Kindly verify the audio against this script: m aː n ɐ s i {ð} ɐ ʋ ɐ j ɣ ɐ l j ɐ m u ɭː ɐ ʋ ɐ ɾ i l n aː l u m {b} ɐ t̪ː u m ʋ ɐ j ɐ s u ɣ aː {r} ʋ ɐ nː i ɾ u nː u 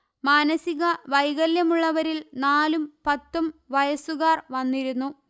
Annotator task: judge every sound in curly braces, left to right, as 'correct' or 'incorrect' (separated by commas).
incorrect, incorrect, correct